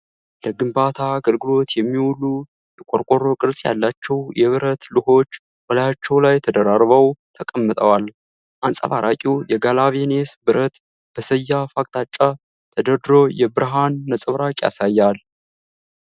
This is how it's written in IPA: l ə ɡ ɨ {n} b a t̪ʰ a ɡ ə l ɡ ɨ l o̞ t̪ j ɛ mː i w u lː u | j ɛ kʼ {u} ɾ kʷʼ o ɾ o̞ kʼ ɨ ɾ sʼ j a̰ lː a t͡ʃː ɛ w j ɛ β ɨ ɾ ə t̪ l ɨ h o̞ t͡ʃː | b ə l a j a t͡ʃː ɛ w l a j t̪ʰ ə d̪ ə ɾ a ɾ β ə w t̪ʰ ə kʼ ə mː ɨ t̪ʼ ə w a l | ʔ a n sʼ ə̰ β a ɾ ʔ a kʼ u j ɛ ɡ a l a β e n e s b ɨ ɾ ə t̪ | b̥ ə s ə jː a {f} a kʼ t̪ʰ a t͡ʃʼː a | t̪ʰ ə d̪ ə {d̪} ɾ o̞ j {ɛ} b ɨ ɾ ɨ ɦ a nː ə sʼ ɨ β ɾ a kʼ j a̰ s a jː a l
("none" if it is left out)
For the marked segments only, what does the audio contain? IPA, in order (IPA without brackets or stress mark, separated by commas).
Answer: m, o, f, d̪, ɛ